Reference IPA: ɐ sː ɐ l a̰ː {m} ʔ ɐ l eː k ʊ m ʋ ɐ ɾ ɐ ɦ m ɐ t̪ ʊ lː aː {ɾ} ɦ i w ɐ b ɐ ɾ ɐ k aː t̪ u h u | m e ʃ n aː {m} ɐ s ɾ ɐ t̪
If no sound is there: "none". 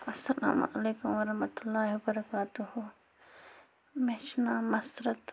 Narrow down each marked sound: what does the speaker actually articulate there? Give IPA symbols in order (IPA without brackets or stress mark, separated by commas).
m, none, m